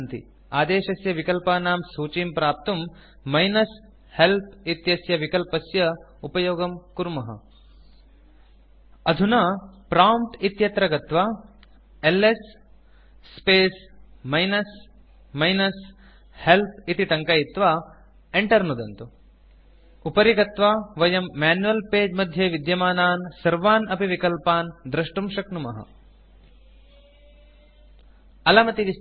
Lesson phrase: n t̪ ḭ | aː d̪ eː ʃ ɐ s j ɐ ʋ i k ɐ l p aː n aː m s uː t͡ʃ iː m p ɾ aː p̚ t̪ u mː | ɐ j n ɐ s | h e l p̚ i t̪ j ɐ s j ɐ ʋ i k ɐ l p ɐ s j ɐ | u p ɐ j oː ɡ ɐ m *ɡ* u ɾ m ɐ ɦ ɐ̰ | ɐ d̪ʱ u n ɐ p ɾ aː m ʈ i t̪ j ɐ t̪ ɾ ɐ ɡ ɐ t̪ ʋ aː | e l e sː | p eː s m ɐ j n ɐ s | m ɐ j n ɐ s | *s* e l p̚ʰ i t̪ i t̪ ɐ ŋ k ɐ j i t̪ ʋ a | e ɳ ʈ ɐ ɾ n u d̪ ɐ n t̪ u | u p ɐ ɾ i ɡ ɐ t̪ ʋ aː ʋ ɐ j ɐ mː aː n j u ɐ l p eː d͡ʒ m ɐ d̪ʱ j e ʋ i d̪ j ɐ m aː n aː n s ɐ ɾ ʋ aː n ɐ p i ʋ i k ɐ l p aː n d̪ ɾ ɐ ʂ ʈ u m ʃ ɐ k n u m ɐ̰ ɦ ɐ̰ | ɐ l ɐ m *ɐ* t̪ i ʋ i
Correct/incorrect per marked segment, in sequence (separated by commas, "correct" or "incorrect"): incorrect, incorrect, correct